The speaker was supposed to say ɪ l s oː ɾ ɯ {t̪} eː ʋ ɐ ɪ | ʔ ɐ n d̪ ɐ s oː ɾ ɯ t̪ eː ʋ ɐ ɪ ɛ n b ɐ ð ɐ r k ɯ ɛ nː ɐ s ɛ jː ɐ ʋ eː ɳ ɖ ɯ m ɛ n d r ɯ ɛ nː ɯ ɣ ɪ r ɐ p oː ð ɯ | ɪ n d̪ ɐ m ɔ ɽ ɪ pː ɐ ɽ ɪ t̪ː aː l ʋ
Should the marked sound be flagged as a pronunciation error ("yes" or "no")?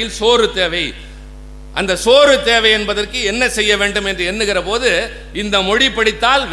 no